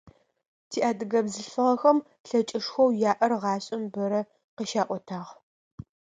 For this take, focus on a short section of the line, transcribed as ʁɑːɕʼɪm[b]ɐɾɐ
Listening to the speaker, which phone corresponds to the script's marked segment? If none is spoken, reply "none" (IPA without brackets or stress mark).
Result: b